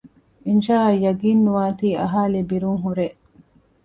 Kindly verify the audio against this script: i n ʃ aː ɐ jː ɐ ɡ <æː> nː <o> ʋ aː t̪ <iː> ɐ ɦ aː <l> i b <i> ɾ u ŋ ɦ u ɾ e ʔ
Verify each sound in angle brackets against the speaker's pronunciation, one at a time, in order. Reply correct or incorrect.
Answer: incorrect: iː, incorrect: u, correct, correct, correct

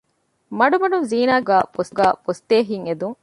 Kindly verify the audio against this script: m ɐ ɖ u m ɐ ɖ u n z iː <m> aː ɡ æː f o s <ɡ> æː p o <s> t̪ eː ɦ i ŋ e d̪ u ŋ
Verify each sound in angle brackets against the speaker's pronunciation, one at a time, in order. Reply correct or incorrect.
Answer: incorrect: n, correct, correct

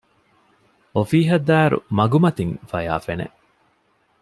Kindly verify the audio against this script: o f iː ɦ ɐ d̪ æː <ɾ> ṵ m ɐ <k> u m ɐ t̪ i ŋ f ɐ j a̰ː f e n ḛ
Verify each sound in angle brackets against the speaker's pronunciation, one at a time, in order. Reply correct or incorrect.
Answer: correct, incorrect: ɡ

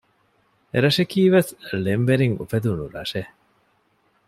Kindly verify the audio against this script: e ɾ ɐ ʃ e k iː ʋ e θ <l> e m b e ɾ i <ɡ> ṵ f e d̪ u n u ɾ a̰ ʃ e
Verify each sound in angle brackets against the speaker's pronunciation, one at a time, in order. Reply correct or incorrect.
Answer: correct, incorrect: ŋ

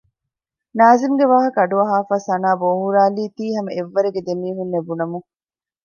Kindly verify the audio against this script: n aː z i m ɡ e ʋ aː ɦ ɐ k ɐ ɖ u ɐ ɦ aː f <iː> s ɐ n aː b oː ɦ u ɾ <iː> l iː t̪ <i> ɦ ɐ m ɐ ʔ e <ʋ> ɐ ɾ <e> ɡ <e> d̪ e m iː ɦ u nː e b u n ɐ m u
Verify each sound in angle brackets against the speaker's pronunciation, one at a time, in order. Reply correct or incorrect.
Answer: incorrect: aː, incorrect: aː, incorrect: iː, incorrect: ʋː, correct, correct

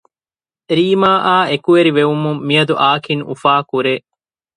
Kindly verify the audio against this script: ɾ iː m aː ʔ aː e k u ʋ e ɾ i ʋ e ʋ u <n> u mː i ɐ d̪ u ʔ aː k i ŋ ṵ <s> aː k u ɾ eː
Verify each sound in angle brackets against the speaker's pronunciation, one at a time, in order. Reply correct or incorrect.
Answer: incorrect: m, incorrect: f

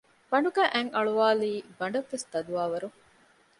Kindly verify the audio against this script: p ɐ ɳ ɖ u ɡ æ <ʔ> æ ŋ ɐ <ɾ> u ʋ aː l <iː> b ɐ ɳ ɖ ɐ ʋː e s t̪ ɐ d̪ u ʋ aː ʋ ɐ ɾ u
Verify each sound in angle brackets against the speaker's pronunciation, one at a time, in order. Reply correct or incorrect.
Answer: correct, incorrect: ɭ, correct

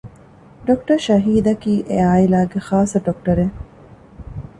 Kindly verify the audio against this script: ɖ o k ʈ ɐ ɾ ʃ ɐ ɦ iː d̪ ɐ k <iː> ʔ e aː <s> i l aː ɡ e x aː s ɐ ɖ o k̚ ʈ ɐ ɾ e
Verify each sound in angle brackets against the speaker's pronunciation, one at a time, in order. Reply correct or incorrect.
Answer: correct, incorrect: none

